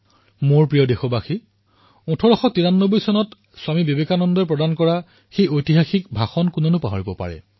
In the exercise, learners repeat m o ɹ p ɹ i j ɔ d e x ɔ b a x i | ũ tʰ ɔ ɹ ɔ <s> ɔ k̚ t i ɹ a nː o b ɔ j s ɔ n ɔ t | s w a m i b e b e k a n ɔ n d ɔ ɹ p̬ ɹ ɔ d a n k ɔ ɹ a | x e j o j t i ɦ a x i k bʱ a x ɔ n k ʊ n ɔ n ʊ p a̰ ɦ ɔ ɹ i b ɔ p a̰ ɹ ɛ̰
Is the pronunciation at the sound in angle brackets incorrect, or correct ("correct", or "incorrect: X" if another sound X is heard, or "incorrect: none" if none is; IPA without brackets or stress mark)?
incorrect: x